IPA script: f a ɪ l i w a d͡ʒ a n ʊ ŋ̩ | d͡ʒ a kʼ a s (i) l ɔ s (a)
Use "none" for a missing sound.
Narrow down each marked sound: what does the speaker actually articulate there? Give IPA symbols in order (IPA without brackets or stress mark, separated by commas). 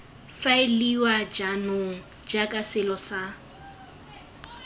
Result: ɪ, a